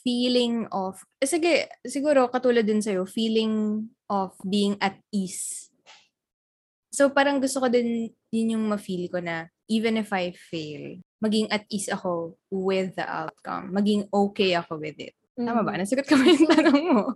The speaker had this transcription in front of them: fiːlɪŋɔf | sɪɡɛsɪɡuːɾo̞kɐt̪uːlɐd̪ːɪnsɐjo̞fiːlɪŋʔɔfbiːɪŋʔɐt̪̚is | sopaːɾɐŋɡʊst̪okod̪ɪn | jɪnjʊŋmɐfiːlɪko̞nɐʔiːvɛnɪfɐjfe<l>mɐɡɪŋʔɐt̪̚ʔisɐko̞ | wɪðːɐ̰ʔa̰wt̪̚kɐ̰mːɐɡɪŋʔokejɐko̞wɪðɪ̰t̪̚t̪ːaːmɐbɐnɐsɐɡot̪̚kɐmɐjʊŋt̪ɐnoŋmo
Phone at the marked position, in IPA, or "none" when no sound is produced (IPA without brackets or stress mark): l